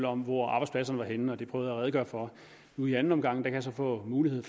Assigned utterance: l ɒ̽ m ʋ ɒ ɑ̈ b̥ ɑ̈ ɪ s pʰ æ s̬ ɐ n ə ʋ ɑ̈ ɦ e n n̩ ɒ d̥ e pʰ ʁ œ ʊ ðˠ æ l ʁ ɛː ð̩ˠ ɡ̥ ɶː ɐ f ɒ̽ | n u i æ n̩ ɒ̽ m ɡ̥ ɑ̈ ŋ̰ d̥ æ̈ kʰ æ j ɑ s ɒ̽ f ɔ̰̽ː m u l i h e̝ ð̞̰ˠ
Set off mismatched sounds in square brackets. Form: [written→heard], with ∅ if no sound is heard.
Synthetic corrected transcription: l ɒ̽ m ʋ ɒ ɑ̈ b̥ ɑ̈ ɪ s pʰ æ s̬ ɐ n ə ʋ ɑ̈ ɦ e n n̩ ɒ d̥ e pʰ ʁ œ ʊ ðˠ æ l ʁ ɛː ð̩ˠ ɡ̥ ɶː ɐ f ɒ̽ | n u i æ n̩ ɒ̽ m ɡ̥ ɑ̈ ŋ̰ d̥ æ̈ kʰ æ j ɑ s ɒ̽ f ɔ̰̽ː m [u→uː] l i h e̝ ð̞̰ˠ